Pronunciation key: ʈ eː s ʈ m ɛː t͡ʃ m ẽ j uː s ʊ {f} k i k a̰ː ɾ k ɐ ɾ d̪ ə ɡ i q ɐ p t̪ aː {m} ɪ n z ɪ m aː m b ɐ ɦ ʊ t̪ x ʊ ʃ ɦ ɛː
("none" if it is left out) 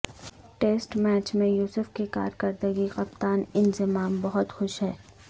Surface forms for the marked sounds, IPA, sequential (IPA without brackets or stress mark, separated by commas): f, n